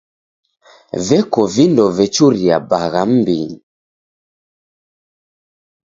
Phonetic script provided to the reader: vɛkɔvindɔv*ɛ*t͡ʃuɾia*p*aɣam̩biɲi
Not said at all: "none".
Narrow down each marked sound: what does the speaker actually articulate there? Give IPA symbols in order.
ɛ, b

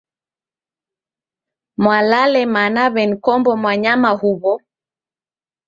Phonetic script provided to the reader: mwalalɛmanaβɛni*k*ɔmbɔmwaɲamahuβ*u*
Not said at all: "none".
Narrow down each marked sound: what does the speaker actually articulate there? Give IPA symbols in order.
k, ɔ

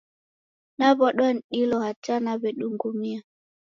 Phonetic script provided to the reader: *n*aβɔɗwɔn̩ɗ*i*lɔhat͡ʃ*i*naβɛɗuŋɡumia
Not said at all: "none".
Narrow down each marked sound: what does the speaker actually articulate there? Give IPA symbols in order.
n, i, a

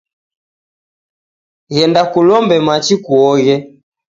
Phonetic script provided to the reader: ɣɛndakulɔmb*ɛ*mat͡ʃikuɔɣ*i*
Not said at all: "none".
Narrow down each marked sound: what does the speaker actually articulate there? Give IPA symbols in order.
ɛ, ɛ

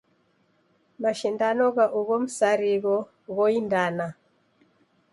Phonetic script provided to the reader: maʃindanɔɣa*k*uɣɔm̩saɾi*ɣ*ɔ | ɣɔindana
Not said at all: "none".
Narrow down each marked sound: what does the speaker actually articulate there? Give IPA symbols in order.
ʔ, ɣ

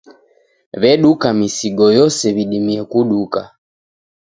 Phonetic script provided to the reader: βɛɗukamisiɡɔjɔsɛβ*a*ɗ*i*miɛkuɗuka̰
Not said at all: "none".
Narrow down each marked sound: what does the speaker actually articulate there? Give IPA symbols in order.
i, i

